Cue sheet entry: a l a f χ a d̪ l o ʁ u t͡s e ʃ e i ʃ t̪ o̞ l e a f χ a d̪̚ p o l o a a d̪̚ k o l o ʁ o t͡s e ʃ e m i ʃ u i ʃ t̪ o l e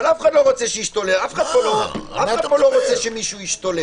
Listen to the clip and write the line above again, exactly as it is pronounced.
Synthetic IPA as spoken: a l a f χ a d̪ l o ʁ o t͡s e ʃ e i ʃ t̪ o̞ l e a f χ a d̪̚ p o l o a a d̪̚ p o l o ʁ o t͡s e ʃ e m i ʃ u i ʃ t̪ o l e